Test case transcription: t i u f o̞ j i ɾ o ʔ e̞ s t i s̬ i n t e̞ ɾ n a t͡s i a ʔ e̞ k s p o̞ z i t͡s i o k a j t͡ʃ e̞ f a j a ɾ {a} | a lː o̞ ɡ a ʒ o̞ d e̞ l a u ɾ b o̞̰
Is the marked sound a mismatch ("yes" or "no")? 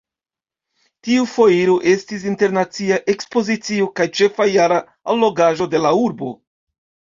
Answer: no